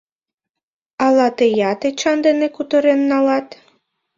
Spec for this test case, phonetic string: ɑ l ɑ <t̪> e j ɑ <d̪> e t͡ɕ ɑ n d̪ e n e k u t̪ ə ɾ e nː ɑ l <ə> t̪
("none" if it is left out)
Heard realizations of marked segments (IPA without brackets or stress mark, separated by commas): t̪, t̪, ɑ